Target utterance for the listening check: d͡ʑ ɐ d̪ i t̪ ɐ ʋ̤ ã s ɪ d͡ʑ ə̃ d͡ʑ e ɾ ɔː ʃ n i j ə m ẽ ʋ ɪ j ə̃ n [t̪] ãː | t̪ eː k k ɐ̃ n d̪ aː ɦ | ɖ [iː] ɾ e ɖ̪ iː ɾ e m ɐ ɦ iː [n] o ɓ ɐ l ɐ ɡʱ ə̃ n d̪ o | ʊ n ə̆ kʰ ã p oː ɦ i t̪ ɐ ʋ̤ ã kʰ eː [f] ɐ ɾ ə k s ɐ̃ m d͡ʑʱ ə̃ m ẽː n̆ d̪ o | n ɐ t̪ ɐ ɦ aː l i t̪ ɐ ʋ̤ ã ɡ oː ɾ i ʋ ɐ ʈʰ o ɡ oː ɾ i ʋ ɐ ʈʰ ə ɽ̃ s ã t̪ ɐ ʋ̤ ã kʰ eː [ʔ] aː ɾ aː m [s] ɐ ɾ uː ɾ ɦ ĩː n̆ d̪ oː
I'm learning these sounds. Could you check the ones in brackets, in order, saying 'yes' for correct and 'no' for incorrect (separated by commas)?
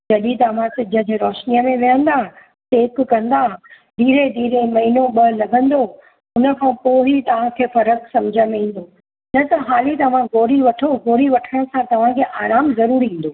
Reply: no, yes, yes, yes, yes, no